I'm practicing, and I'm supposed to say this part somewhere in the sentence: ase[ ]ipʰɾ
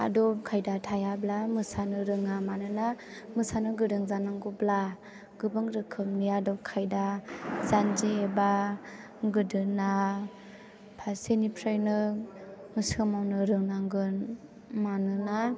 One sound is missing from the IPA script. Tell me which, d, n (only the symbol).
n